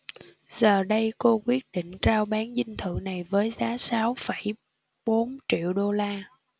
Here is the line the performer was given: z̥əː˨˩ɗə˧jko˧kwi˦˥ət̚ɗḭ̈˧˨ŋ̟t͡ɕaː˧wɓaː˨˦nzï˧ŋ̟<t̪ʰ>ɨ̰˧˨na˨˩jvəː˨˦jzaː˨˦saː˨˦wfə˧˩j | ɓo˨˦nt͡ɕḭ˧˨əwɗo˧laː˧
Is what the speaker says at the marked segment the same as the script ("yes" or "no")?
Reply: yes